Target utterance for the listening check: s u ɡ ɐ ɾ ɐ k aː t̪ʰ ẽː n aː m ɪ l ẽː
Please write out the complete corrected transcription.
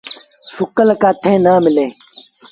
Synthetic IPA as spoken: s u k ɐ l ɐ k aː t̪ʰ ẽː n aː m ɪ l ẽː